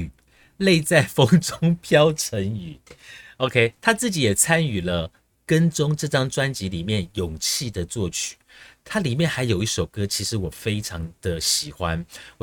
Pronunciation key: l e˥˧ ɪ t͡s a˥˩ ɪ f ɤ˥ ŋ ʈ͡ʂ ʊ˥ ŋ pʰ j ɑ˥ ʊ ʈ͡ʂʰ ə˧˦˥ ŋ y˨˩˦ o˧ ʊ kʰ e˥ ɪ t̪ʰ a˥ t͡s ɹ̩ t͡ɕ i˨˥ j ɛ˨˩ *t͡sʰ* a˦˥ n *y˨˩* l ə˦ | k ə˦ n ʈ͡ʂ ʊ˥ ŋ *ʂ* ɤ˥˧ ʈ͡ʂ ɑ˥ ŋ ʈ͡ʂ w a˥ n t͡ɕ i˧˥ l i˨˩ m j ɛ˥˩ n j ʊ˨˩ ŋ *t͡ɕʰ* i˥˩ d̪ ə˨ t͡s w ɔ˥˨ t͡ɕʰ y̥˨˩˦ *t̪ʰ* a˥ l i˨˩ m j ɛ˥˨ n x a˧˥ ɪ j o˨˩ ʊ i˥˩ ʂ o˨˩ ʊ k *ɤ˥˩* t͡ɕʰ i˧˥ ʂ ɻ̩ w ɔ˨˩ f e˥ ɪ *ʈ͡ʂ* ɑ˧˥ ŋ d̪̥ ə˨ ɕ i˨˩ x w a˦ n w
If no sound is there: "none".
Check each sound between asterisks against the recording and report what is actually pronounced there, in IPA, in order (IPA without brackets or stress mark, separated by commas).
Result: t͡sʰ, y˨˩, ʈ͡ʂ, t͡ɕʰ, t̪ʰ, ɤ˥, ʈ͡ʂʰ